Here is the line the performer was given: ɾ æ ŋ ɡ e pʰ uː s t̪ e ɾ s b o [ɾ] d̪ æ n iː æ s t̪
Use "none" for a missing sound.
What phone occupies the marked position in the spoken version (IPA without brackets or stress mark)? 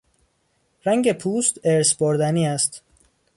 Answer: ɾ